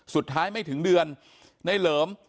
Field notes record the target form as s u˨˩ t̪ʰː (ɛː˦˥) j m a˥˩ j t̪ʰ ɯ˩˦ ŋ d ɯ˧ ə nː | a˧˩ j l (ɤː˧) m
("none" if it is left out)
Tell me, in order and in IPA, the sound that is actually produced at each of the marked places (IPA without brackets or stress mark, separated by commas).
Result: aː˦˥, ɤː˩˦